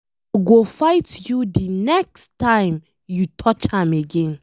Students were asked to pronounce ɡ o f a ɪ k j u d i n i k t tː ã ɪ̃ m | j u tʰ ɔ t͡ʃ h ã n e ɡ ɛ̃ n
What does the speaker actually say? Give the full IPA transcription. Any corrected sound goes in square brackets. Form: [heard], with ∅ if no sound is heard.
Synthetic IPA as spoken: ɡ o f a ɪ [t] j u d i n [ɛ] k [s] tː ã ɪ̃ m | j u tʰ ɔ t͡ʃ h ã [m] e ɡ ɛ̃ n